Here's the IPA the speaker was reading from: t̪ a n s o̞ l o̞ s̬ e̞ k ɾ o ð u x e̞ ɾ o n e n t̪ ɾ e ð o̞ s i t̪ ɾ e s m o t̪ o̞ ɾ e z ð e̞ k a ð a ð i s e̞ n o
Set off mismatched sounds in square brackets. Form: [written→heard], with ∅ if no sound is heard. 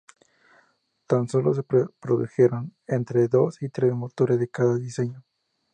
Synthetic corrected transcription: t̪ a n s o̞ l o̞ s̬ e̞ [k→p] ɾ o ð u x e̞ ɾ o n e n t̪ ɾ e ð o̞ s i t̪ ɾ e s m o t̪ o̞ ɾ e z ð e̞ k a ð a ð i s e̞ [n→ɲ] o